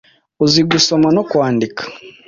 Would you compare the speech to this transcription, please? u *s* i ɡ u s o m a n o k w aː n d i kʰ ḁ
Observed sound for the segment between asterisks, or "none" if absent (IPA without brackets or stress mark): z